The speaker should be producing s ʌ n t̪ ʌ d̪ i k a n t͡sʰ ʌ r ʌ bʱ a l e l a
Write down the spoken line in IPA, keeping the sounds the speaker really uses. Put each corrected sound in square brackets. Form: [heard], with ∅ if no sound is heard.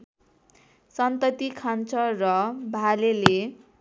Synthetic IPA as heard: s ʌ n t̪ ʌ [t̪] i [kʰ] a n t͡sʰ ʌ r ʌ bʱ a l e l [e]